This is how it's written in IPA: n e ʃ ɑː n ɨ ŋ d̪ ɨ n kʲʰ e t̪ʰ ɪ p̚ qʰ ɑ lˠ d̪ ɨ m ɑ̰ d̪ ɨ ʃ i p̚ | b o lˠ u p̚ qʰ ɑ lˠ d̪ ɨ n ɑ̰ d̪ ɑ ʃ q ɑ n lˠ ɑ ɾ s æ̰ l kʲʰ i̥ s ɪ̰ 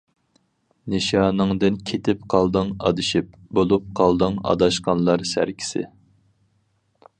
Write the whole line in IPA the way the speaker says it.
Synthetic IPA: n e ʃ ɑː n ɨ ŋ d̪ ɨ n kʲʰ e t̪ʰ ɪ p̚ qʰ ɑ lˠ d̪ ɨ ŋ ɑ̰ d̪ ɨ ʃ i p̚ | b o lˠ u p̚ qʰ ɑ lˠ d̪ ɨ ŋ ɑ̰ d̪ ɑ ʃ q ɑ n lˠ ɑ ɾ s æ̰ ɾ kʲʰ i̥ s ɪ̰